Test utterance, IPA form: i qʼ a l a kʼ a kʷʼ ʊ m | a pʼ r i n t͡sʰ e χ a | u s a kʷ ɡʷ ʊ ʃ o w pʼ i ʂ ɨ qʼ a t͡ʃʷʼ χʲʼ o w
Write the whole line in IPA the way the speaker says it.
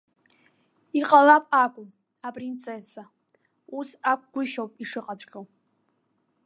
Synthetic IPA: i qʼ a l a pʼ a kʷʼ ʊ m | a pʼ r i n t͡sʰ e s a | u s a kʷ ɡʷ ʊ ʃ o w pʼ i ʂ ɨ qʼ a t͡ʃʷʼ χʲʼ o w